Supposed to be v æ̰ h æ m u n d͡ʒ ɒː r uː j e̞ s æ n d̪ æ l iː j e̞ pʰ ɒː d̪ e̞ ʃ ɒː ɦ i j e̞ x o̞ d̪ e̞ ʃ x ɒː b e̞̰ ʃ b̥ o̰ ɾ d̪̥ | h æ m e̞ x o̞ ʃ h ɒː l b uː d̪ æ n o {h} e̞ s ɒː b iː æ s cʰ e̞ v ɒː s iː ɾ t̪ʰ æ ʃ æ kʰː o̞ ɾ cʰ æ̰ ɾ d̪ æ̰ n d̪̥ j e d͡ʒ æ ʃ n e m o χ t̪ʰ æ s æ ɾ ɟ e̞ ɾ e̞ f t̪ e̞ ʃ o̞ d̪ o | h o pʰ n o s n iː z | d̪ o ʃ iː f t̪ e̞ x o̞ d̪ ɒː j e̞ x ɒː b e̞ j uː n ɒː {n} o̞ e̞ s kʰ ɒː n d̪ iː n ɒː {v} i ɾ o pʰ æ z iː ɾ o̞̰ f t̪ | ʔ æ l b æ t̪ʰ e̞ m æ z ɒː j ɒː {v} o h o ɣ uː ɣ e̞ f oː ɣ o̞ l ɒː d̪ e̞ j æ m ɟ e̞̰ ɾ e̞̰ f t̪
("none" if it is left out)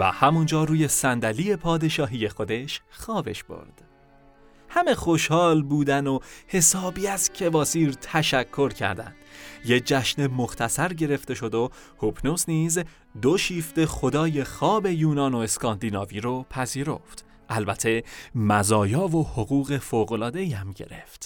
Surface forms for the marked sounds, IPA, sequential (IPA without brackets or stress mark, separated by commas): h, n, v, v